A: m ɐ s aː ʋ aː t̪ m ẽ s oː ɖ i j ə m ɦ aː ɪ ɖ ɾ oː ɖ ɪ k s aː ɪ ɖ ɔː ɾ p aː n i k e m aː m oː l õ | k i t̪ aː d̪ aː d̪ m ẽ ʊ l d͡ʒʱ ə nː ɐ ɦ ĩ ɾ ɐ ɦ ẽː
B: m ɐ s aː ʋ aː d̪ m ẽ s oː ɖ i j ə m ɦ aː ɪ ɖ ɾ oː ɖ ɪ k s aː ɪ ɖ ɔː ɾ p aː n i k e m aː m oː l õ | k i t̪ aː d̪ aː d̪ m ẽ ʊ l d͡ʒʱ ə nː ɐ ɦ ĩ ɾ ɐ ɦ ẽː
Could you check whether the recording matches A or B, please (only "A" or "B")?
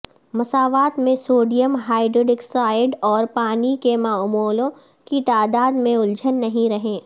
A